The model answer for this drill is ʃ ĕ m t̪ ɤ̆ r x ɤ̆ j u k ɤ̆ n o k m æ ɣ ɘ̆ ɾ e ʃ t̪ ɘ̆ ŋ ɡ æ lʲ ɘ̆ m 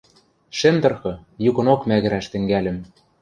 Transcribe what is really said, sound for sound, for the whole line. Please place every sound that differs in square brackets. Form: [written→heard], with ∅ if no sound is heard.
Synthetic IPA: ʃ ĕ m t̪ ɤ̆ r x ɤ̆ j u k ɤ̆ n o k m æ ɣ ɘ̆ ɾ [e→æ] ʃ t̪ ɘ̆ ŋ ɡ æ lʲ ɘ̆ m